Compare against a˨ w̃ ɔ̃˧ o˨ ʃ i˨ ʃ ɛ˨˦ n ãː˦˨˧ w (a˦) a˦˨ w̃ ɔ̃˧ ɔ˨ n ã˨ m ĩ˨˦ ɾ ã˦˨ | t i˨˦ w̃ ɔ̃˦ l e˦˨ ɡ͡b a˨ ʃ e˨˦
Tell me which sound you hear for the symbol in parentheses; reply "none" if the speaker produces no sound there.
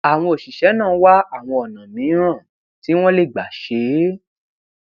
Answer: a˦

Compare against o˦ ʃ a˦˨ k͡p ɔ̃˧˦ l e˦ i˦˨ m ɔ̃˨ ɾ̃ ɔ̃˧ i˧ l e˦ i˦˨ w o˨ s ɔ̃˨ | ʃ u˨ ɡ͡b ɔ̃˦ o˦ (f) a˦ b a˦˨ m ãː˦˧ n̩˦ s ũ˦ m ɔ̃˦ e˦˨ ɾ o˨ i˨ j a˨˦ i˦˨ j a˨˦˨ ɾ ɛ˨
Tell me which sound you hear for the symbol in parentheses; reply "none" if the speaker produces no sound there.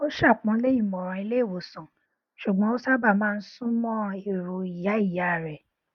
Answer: s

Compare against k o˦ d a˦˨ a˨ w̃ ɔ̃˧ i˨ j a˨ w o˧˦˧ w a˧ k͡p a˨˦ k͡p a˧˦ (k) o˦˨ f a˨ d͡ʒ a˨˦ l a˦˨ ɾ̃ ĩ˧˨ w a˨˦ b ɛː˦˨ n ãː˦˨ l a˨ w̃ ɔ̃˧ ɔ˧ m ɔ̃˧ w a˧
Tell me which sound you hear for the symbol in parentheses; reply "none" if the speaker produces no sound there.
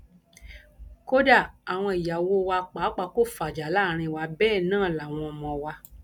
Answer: k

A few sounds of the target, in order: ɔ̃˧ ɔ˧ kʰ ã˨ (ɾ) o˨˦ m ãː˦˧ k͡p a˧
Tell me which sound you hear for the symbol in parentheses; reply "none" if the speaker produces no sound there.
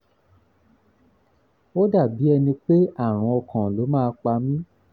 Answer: l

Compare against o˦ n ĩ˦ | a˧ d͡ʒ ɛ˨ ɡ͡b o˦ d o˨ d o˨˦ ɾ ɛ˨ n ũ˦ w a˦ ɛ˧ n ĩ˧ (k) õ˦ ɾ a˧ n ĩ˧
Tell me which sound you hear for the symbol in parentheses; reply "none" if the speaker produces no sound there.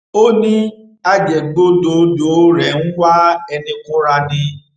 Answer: k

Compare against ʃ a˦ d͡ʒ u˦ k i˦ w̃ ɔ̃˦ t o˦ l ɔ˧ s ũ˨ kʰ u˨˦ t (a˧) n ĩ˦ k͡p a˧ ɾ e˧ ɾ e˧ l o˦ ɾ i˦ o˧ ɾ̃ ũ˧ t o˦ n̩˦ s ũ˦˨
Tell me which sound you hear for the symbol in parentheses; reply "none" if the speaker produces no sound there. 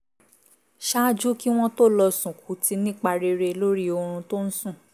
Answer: i˧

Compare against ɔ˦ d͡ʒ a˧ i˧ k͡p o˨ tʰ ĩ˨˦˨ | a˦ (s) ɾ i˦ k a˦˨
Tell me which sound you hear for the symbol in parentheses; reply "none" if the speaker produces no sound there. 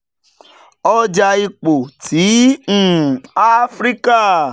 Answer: f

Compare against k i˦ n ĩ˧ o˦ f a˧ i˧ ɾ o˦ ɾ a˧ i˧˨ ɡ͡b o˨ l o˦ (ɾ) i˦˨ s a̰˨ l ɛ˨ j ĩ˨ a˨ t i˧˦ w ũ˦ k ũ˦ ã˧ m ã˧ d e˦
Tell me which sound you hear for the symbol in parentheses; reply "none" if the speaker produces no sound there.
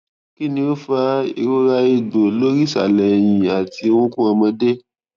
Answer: ɾ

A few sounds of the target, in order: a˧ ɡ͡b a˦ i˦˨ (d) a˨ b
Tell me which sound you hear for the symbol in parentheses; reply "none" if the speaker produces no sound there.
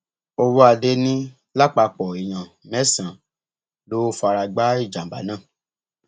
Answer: d͡ʒ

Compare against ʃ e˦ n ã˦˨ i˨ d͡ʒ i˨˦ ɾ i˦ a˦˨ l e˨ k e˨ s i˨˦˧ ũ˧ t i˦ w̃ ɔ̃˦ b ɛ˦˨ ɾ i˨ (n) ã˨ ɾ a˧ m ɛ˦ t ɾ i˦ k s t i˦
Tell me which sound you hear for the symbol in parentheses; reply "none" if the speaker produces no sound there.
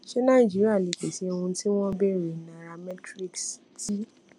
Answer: n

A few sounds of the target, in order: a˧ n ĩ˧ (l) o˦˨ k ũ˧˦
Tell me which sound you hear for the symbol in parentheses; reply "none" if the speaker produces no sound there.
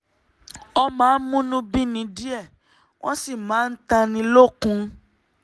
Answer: l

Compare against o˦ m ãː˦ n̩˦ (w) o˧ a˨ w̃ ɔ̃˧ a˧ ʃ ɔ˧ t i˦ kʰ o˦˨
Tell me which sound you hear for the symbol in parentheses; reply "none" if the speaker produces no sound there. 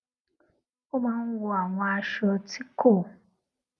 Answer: w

